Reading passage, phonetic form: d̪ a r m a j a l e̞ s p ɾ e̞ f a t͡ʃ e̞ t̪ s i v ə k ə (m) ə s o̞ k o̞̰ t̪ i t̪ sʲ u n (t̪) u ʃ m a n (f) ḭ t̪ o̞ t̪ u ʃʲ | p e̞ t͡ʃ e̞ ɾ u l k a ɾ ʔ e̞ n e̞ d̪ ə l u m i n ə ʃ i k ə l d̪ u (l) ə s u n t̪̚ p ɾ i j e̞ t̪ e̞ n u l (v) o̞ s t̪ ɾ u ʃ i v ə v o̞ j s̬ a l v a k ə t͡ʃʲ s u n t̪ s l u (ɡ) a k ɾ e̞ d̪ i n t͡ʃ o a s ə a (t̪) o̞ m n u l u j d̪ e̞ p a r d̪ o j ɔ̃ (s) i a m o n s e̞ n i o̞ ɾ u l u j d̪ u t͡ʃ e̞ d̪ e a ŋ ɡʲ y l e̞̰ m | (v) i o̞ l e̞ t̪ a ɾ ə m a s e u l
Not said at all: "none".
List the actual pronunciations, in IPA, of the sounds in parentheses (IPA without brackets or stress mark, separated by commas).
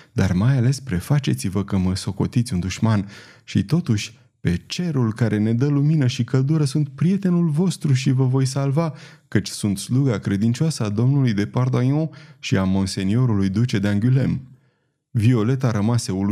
m, d̪, ʃ, ɾ, v, ɡ, d̪, ʃ, v